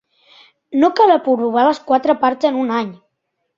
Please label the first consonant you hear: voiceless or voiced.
voiced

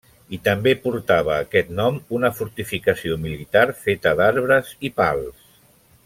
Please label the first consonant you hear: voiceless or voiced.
voiceless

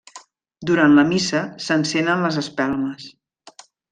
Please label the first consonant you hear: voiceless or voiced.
voiced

